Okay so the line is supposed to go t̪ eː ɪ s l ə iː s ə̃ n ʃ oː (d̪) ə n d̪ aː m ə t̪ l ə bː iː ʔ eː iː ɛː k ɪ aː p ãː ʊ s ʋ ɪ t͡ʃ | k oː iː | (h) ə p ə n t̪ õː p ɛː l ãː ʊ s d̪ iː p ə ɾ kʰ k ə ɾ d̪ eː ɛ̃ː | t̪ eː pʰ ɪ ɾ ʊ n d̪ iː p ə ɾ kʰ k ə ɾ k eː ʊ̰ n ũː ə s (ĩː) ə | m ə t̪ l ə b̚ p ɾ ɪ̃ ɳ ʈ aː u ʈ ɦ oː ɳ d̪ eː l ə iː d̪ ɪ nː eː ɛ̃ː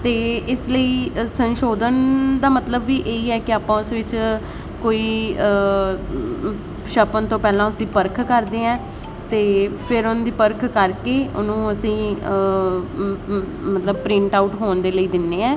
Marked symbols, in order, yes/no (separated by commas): yes, no, yes